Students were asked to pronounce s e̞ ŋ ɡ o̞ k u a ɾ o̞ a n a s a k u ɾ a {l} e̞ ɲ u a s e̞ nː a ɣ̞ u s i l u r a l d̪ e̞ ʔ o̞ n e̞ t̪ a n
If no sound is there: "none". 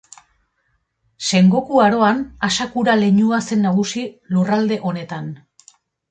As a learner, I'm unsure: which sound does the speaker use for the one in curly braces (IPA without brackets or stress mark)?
l